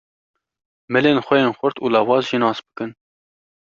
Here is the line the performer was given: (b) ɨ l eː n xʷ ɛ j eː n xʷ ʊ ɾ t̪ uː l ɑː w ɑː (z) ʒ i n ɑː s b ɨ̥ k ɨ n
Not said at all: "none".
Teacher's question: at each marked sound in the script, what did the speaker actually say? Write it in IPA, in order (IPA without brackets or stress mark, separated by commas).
m, z